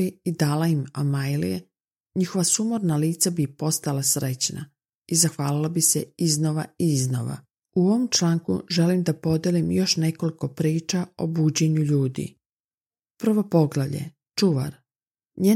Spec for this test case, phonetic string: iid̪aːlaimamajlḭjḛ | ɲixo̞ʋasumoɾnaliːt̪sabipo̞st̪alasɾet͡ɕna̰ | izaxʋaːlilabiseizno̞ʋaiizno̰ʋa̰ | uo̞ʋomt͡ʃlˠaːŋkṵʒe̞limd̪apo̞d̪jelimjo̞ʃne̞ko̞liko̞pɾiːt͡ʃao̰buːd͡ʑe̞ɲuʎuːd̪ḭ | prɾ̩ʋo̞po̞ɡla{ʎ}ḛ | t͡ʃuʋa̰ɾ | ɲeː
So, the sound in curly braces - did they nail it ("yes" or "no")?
yes